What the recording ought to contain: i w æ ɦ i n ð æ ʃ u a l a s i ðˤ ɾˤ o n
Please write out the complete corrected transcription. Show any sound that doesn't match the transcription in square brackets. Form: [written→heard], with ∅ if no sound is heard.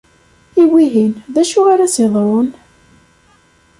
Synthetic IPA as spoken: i w [æ→i] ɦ i n ð æ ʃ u a [l→ɾ] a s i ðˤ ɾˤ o n

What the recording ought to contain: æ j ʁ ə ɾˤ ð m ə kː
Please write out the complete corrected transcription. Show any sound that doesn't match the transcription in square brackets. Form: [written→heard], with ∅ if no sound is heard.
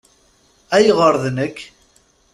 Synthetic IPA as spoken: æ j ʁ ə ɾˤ ð [m→n] ə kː

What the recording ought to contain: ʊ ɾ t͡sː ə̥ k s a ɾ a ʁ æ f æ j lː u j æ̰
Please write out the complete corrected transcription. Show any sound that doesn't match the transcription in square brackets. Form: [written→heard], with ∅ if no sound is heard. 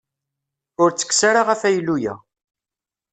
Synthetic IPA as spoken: ʊ ɾ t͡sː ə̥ k s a ɾ a ʁ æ f æ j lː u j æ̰

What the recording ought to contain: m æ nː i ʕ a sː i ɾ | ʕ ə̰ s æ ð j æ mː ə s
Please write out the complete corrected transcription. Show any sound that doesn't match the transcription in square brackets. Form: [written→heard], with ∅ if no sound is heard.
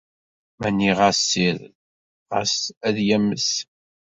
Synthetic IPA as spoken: m æ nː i [ʕ→ʁ] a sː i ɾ | [ʕ→ʁ] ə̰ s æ ð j æ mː ə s

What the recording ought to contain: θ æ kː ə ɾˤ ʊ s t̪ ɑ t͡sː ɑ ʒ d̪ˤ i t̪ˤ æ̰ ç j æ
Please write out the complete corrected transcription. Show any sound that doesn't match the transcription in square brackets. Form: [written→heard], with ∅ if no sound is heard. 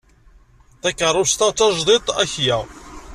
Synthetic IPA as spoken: θ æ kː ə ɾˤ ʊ s t̪ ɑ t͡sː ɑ ʒ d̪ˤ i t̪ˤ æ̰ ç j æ

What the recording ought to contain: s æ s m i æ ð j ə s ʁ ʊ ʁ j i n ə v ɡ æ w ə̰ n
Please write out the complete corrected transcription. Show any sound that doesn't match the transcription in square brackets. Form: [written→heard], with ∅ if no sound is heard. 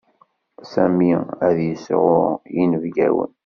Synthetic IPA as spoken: s æ [s→∅] m i æ ð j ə s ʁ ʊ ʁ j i n ə v ɡ æ w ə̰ n

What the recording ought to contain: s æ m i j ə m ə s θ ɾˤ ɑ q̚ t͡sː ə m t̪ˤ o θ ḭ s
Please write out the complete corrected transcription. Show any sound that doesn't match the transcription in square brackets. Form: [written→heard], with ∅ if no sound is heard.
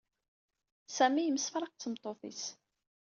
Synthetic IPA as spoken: s æ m i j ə m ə s [θ→f] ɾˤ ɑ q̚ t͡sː ə m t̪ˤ o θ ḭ s

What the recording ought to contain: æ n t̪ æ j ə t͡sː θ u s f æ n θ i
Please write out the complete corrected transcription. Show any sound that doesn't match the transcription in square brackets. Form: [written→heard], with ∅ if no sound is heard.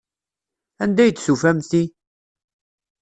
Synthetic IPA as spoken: æ n [t̪→d̪] æ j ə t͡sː [θ→s] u [s→∅] f æ [n→m] θ i

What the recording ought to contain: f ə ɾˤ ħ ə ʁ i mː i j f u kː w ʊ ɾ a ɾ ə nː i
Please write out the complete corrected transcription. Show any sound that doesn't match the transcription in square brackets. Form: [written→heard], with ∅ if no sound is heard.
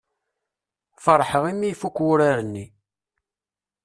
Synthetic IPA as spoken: f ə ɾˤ ħ ə ʁ i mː i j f u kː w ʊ ɾ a ɾ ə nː i

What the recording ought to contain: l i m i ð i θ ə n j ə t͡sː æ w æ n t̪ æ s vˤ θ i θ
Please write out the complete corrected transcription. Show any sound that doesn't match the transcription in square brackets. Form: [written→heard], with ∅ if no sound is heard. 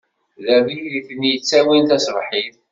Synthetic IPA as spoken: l [i→æ] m i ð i θ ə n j ə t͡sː æ w [æ→i] n t̪ æ s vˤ [θ→ħ] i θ

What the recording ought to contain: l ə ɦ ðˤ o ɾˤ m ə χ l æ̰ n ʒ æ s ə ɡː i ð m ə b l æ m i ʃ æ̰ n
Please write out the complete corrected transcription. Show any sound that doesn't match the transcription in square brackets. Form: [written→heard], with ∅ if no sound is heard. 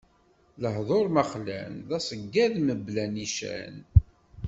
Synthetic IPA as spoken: l ə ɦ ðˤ o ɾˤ m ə χ l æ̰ n [ʒ→ð] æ s ə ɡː [i→æ] ð m ə b l æ [m→n] i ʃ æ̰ n

